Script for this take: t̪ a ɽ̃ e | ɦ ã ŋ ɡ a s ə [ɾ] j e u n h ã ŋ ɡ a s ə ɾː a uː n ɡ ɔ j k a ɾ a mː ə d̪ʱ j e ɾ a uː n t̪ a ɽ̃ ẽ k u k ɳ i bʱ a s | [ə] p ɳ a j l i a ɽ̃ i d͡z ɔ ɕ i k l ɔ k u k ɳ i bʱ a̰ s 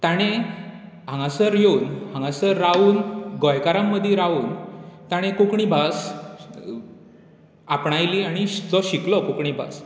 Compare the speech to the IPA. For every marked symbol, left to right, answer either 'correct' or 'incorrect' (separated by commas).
correct, incorrect